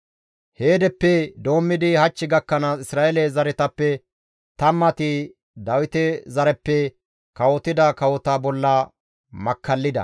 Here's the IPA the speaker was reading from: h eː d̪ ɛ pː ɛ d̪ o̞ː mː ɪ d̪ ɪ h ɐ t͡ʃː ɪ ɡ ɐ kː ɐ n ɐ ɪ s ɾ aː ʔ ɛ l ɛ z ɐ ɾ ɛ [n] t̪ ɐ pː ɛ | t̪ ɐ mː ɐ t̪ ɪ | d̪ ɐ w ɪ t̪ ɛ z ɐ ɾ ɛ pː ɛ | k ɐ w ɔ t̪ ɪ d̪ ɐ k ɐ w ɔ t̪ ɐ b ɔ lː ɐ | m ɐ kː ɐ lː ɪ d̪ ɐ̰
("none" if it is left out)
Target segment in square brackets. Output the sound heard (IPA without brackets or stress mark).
none